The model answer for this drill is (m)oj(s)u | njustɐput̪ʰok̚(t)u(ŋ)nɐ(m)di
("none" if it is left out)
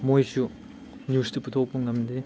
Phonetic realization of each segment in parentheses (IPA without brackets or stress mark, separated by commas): m, s, p, ŋ, m